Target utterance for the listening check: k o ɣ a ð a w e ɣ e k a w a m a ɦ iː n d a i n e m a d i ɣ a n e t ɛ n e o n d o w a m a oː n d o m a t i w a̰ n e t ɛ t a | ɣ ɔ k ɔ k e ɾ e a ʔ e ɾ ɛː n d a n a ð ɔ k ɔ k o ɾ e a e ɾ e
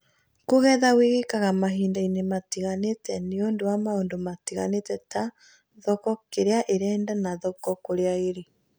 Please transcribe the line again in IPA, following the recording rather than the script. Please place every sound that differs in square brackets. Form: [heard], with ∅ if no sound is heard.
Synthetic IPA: k o ɣ [ɛ] ð a w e ɣ e k a [ɣ] a m a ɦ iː n d a i n e m a [t] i ɣ a n e t ɛ n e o n d o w a m a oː n d o m a t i [ɣ] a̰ n e t ɛ t a | [ð] ɔ k ɔ k e ɾ e a ʔ e ɾ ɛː n d a n a ð ɔ k ɔ k o ɾ e a e ɾ e

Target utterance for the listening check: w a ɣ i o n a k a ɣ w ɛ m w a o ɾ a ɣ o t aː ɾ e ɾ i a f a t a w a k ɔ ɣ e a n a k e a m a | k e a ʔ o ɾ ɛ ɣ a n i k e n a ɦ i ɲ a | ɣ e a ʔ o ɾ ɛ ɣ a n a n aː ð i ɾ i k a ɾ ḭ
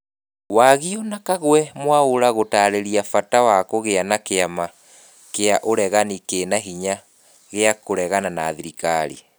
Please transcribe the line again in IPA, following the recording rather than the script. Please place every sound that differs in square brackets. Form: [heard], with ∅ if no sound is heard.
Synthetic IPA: w a ɣ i o n a k a ɣ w ɛ m w a o ɾ a ɣ o t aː ɾ e ɾ i a f a t a w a k [o] ɣ e a n a k e a m a | k e a ʔ o ɾ ɛ ɣ a n i k e n a ɦ i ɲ a | ɣ e a [k] o ɾ ɛ ɣ a n a n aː ð i ɾ i k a ɾ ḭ

